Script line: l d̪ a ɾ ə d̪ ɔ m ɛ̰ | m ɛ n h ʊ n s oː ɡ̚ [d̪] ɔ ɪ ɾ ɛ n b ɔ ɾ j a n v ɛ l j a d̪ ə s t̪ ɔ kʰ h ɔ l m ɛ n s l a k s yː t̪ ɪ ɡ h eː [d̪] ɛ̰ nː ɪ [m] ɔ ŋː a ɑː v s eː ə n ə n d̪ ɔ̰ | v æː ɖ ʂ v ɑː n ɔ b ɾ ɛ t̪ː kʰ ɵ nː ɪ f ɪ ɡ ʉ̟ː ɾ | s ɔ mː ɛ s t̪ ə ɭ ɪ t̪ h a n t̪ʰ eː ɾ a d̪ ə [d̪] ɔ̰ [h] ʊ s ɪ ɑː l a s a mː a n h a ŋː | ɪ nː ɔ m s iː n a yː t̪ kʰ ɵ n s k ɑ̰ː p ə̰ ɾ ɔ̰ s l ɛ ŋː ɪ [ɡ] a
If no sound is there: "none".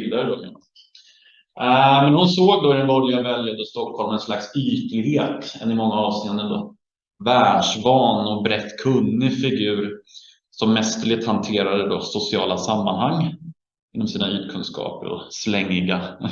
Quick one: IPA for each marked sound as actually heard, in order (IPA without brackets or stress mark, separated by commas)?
d̪, t̪, m, d̪, s, ɡ